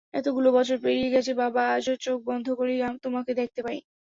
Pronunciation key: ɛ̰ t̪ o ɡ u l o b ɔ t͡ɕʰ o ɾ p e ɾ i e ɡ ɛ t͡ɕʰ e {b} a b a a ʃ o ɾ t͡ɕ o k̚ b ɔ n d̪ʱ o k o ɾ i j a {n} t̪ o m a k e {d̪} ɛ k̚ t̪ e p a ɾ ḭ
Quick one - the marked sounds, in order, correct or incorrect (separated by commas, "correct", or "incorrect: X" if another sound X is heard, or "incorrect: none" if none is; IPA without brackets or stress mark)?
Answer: correct, incorrect: m, correct